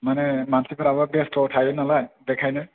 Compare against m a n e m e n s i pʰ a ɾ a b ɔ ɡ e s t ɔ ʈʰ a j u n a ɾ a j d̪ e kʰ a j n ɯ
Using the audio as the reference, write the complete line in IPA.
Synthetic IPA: m a n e m a n s i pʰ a ɾ a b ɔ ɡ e s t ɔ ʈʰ a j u n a l a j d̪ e kʰ a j n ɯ